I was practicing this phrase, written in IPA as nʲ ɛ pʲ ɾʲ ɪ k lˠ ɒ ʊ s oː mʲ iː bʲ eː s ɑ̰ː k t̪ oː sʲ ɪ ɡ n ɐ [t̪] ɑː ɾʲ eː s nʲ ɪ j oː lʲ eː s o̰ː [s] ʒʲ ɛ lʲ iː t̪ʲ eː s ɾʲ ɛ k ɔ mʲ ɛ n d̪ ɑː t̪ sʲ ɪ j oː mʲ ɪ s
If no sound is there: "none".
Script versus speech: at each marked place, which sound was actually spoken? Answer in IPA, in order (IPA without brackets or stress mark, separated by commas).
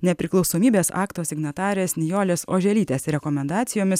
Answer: t̪, none